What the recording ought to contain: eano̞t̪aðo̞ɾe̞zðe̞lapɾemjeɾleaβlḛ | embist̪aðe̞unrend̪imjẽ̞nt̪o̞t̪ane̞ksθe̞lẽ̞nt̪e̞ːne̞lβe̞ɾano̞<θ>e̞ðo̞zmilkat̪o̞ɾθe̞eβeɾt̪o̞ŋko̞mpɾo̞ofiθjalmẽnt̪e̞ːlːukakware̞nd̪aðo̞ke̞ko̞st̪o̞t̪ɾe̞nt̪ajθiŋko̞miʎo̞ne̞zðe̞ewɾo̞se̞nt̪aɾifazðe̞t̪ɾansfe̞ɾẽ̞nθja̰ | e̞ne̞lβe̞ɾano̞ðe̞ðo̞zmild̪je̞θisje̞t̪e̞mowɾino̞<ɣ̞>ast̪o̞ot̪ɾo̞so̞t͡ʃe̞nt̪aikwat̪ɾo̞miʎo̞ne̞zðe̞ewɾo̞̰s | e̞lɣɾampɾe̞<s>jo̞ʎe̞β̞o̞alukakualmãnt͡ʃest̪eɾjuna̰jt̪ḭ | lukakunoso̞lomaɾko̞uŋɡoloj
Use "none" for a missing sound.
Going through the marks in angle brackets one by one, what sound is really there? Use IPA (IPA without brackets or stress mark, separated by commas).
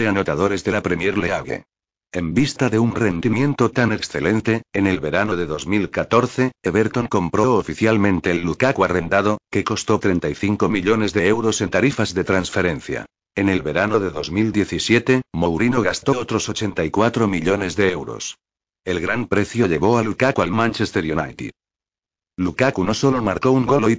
ð, ɣ̞, θ